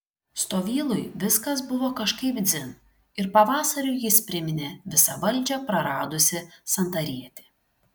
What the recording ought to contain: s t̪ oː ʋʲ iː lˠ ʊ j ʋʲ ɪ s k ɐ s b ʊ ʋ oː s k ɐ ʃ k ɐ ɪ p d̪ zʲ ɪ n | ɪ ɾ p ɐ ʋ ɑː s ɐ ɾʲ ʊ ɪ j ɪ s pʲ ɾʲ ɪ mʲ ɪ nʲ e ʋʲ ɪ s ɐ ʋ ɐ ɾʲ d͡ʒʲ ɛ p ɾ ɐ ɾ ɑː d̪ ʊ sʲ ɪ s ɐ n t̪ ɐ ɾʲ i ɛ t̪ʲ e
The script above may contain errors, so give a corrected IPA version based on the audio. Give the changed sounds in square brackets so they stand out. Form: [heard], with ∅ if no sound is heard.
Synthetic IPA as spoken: s t̪ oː ʋʲ iː lˠ ʊ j ʋʲ ɪ s k ɐ s b ʊ ʋ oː [∅] k ɐ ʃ k ɐ ɪ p d̪ zʲ ɪ n | ɪ ɾ p ɐ ʋ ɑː s ɐ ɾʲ ʊ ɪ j ɪ s pʲ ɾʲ ɪ mʲ ɪ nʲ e ʋʲ ɪ s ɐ ʋ ɐ [lʲ] d͡ʒʲ ɛ p ɾ ɐ ɾ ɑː d̪ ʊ sʲ ɪ s ɐ n t̪ ɐ ɾʲ i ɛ t̪ʲ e